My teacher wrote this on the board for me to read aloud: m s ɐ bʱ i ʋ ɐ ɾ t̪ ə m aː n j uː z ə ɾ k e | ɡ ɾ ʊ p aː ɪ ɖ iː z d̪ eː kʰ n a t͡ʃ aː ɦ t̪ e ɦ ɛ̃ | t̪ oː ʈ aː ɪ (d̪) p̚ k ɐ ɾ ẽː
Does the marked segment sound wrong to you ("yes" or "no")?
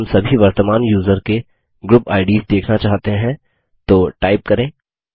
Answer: yes